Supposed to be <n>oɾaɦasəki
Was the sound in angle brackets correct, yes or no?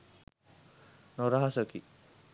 yes